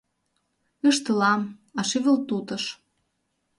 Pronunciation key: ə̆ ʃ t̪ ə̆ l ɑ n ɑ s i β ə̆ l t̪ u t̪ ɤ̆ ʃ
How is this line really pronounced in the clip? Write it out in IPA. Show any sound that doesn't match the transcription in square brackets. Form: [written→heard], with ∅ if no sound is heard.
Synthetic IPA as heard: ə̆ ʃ t̪ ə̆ l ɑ [n→m] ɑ [s→ʃ] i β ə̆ l t̪ u t̪ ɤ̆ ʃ